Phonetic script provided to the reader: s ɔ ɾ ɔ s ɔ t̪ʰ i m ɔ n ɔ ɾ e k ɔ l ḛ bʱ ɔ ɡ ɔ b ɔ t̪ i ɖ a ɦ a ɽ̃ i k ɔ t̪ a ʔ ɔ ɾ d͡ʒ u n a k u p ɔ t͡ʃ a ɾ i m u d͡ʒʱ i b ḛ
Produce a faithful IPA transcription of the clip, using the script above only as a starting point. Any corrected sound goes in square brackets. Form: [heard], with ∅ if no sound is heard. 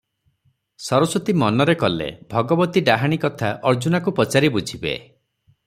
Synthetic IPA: s ɔ ɾ ɔ s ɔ [t̪] i m ɔ n ɔ ɾ e k ɔ l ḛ bʱ ɔ ɡ ɔ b ɔ t̪ i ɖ a ɦ a ɽ̃ i k ɔ [t̪ʰ] a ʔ ɔ ɾ d͡ʒ u n a k u p ɔ t͡ʃ a ɾ i [b] u d͡ʒʱ i b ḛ

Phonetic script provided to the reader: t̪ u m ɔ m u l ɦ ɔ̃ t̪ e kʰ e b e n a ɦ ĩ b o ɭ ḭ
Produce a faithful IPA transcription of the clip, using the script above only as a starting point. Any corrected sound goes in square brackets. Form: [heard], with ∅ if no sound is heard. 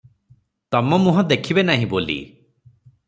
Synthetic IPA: t̪ [ɔ] m ɔ m u [∅] ɦ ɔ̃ [d̪] e kʰ [i] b e n a ɦ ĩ b o [l] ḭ

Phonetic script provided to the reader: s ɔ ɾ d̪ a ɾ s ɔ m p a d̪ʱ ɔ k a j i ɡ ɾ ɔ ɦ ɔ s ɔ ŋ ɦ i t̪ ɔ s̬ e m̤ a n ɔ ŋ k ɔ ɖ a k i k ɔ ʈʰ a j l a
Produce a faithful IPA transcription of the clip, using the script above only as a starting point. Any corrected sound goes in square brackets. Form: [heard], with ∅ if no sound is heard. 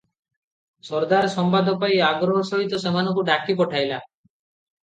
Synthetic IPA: s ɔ ɾ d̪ a ɾ s ɔ m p a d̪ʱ ɔ [p] a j [a] ɡ ɾ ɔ ɦ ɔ s ɔ [∅] ɦ i t̪ ɔ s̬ e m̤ a n ɔ ŋ k [u] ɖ a k i [p] ɔ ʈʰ a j l a

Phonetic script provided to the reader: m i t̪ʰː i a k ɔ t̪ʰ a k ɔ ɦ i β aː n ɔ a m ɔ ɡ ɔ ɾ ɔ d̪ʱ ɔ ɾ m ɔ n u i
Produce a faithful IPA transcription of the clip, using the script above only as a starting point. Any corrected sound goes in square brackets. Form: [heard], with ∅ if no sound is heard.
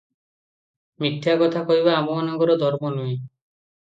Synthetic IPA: m i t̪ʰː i a k ɔ t̪ʰ a k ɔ ɦ i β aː [m] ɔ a [n] ɔ ɡ ɔ ɾ ɔ d̪ʱ ɔ ɾ m ɔ n u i

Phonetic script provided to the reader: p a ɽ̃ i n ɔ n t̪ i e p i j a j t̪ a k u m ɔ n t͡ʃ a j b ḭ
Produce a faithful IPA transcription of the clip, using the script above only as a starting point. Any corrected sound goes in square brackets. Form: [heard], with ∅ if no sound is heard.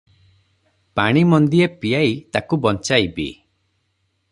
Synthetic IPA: p a ɽ̃ i [m] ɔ n [d̪] i e p i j a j t̪ a k u [b] ɔ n t͡ʃ a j b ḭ

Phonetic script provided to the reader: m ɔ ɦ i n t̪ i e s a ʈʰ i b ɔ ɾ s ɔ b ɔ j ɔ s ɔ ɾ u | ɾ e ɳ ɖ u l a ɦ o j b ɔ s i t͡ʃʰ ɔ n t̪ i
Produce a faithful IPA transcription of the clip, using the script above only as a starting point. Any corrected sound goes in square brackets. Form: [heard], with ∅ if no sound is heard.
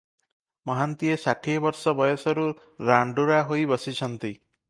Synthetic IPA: m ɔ ɦ [a] n t̪ i e s a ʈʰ i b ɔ ɾ s ɔ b ɔ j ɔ s ɔ ɾ u | ɾ [a] ɳ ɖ u [ɾ] a ɦ o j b ɔ s i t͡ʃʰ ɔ n t̪ i

